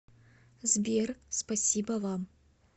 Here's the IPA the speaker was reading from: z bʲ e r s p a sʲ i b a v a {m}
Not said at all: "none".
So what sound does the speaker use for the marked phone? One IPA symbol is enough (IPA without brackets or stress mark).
m